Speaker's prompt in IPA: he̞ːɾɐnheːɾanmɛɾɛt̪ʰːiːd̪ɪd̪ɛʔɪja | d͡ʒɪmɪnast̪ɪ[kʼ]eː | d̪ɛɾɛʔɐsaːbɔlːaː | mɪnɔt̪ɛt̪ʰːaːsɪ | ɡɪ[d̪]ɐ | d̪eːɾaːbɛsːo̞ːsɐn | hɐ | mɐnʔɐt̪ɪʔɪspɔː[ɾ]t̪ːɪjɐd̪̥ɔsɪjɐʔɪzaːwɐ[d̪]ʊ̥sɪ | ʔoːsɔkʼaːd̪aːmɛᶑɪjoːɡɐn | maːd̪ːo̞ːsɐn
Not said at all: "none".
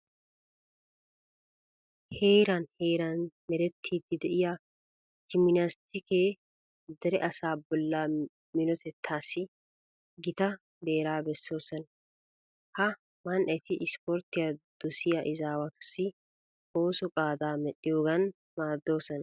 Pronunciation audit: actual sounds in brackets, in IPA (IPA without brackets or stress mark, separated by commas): k, t̪, ɾ, t̪